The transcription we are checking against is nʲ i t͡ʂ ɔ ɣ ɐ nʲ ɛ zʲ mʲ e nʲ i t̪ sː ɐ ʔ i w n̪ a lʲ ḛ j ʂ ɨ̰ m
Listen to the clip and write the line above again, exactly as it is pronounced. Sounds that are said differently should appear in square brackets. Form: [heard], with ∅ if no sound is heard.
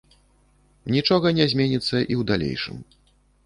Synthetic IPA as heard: nʲ i t͡ʂ ɔ ɣ ɐ nʲ ɛ zʲ mʲ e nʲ i t̪ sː ɐ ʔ i w [d̪] a lʲ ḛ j ʂ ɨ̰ m